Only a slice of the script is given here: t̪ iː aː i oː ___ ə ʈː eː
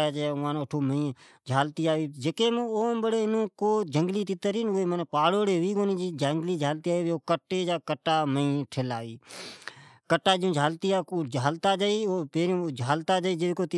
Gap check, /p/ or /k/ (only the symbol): k